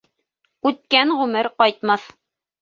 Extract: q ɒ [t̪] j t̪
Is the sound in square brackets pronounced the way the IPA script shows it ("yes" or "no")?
no